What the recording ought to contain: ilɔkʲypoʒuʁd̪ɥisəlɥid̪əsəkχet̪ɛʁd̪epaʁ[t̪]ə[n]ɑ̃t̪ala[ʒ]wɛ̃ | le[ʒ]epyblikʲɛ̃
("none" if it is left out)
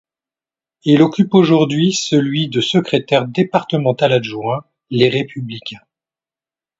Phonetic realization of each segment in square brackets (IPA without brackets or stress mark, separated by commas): t̪, m, ʒ, ʁ